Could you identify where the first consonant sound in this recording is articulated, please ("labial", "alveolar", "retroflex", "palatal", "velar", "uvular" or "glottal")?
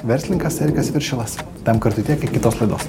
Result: labial